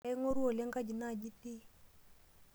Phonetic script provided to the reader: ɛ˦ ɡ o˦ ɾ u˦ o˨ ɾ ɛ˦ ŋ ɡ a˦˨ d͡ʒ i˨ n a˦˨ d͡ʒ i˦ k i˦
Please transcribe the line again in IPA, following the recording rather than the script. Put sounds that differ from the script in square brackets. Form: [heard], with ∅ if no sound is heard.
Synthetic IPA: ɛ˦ [ŋ] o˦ ɾ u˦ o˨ [l] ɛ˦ ŋ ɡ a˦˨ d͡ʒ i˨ n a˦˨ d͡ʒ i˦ [t] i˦